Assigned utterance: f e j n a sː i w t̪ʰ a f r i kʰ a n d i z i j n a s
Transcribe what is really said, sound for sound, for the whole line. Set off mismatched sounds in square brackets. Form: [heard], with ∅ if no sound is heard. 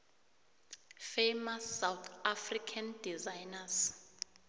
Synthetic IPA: f e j [m] a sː [a] w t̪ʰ a f r i kʰ a n d i z [a] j n a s